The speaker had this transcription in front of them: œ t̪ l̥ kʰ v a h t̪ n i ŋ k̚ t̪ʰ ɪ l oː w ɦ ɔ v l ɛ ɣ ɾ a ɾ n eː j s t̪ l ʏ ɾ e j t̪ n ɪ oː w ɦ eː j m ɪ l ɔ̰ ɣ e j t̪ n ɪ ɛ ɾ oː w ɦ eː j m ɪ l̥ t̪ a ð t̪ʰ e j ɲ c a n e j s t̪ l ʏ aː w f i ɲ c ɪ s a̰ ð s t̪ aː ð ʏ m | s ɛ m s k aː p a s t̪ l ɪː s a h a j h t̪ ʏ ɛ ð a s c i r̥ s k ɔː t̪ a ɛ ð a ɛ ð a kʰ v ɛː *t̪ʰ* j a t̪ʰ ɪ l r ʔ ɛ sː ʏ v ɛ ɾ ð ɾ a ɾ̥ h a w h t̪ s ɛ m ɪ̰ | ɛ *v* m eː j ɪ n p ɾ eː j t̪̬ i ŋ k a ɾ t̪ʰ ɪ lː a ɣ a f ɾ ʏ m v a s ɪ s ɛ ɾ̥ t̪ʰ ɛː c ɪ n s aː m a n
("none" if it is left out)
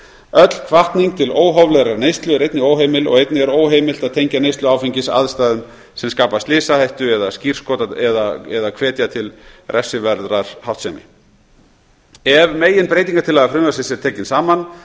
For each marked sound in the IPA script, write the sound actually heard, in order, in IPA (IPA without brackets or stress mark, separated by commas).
t̪, v